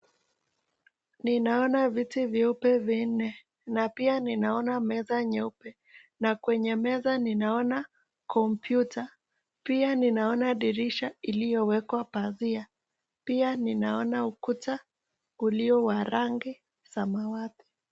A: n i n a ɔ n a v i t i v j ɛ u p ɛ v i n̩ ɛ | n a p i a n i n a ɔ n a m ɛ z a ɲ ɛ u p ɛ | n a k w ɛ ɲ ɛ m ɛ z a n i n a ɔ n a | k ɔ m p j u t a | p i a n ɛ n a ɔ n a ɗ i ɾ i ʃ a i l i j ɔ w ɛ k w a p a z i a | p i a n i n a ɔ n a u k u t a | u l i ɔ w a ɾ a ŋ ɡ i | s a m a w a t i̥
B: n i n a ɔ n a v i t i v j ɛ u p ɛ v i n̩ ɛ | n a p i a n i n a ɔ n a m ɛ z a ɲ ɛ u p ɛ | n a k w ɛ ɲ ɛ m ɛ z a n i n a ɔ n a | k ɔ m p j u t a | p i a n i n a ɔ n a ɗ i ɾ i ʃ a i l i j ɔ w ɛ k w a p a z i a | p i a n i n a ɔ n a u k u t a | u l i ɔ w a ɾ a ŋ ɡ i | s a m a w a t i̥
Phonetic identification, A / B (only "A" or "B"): B